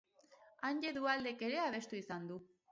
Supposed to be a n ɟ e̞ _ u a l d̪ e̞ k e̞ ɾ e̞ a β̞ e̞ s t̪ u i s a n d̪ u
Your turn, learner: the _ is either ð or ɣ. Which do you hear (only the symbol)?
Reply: ð